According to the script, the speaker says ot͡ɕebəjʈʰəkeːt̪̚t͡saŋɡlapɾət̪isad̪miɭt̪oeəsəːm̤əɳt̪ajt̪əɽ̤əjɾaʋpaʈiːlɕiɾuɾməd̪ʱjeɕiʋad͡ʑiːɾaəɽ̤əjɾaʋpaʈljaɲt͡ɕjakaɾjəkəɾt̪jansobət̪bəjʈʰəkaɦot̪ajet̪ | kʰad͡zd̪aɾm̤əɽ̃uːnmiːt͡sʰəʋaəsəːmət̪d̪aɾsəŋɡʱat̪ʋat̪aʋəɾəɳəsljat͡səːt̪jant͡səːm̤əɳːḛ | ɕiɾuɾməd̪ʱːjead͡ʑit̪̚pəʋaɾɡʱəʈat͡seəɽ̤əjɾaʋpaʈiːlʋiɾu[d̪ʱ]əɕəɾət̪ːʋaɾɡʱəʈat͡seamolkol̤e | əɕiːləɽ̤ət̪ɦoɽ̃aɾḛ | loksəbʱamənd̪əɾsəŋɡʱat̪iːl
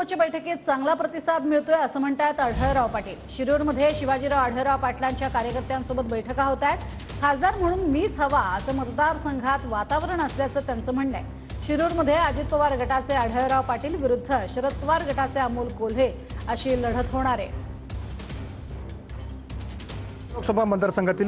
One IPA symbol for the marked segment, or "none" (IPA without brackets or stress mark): d̪ʱː